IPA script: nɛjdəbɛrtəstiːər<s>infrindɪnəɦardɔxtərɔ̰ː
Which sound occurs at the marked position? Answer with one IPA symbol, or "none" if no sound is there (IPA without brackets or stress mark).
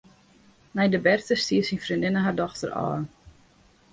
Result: s